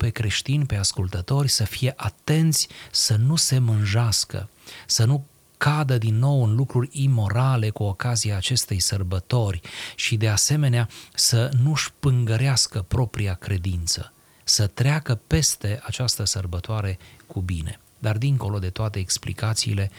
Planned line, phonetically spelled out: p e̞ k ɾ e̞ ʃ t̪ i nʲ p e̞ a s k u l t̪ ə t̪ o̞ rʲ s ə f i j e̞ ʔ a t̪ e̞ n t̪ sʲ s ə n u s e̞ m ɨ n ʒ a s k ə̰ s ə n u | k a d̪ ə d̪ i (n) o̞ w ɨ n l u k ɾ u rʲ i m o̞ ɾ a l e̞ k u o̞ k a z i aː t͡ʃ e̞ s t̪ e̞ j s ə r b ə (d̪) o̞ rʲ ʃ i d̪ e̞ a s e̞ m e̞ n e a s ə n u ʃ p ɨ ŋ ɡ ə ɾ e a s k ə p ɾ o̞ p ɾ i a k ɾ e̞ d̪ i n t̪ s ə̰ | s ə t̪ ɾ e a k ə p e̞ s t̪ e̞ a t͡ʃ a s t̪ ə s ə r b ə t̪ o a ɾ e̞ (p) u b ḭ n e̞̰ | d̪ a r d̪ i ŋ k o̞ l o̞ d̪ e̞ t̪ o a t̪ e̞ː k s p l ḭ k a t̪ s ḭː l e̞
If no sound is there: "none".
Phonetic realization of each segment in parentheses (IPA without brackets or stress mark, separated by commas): nː, t̪, k